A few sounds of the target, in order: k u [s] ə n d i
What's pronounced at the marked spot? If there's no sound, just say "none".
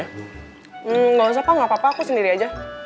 s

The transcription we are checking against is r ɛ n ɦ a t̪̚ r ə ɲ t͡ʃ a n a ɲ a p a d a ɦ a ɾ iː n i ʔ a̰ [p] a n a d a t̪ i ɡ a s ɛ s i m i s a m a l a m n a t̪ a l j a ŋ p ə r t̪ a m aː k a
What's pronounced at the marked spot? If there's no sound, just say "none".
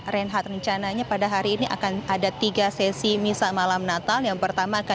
k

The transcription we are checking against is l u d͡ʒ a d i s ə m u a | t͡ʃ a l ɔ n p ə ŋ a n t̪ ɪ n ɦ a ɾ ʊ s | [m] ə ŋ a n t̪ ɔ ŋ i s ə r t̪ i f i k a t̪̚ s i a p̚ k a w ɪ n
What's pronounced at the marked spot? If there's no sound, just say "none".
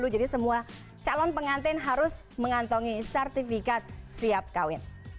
m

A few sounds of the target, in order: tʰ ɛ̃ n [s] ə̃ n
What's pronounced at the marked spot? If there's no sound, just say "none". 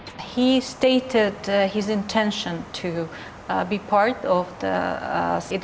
ʃ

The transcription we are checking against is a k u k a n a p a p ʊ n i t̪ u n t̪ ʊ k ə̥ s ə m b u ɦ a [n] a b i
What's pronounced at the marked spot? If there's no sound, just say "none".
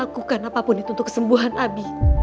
n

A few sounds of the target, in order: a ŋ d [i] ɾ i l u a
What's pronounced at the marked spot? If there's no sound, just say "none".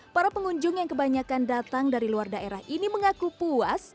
a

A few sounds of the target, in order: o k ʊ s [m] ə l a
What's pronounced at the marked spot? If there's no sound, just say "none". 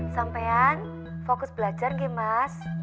b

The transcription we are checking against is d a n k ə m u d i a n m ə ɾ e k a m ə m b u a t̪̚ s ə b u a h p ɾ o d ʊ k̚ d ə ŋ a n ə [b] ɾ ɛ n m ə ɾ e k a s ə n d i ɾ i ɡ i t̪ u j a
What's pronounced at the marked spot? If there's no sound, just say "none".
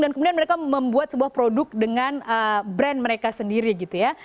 b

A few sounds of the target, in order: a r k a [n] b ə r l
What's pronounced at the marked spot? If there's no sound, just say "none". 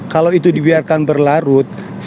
n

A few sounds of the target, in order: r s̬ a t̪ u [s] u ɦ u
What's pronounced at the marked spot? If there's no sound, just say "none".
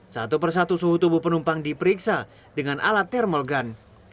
s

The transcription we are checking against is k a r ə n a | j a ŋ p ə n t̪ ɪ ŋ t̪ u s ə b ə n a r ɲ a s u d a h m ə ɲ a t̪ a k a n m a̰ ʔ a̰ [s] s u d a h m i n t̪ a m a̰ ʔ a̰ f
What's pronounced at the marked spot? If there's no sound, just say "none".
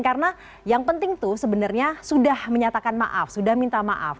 f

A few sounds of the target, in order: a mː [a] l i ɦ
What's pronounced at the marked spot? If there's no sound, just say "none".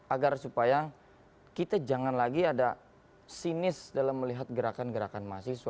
ə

